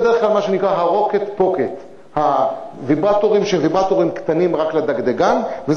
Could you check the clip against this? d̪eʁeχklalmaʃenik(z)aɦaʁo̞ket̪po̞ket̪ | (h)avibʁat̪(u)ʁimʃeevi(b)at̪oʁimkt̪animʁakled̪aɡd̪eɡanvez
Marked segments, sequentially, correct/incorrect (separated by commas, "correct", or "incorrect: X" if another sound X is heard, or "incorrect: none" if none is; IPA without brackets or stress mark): incorrect: ʁ, correct, incorrect: o, correct